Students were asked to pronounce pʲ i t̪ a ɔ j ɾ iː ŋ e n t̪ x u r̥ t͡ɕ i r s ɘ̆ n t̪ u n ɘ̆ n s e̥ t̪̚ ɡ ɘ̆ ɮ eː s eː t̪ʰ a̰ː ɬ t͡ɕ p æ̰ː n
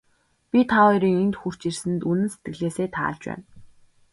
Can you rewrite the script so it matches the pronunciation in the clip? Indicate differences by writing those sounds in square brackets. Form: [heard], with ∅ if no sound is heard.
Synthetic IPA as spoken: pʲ i [t̪ʰ] a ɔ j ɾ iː ŋ e n t̪ x u r̥ t͡ɕ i r s ɘ̆ n t̪ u n ɘ̆ n s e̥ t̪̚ ɡ ɘ̆ ɮ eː s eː t̪ʰ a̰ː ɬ t͡ɕ p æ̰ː n